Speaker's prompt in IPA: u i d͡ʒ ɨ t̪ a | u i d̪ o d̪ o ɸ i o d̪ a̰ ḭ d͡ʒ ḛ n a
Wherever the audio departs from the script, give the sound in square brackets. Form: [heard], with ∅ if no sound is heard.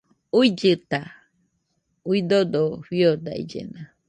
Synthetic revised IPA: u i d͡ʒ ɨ t̪ a | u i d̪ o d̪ o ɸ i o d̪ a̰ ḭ d͡ʒ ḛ n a